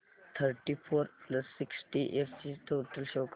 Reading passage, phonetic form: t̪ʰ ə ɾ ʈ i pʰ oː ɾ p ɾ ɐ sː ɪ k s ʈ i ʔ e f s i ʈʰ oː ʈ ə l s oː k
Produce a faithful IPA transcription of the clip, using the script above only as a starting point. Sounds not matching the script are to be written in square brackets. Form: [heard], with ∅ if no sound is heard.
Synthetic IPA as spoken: t̪ʰ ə ɾ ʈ i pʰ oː ɾ p [l] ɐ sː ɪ k s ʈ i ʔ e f s i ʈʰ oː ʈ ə l [ʃ] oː k